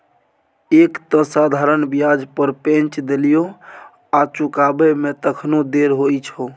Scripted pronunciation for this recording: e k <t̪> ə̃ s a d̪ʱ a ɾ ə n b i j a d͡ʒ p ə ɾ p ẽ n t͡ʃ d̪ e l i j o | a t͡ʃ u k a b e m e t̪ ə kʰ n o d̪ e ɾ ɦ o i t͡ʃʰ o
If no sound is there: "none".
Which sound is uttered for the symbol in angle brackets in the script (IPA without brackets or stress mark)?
t̪